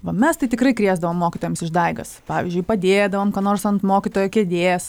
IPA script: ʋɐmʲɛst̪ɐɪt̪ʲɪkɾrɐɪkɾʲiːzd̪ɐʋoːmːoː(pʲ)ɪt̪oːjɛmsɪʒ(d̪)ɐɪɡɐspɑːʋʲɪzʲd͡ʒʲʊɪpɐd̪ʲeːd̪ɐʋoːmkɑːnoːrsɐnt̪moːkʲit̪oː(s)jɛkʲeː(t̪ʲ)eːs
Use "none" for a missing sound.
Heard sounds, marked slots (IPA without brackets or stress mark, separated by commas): kʲ, d̪, none, d̪ʲ